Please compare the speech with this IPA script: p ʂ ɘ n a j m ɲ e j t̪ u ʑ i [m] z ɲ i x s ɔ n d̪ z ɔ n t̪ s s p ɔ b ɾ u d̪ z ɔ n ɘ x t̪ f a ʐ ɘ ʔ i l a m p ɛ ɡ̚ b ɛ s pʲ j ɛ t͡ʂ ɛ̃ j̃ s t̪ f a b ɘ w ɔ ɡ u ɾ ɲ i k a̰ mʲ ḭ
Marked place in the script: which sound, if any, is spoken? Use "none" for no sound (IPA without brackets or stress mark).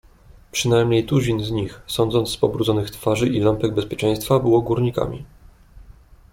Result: n